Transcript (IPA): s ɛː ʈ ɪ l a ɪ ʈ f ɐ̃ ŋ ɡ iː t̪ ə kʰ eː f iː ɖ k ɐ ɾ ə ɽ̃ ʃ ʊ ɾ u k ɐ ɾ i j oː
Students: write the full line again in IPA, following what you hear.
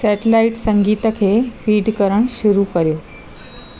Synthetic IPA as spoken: s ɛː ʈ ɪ l a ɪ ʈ s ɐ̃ ŋ ɡ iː t̪ ə kʰ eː f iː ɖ k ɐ ɾ ə ɽ̃ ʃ ʊ ɾ u k ɐ ɾ i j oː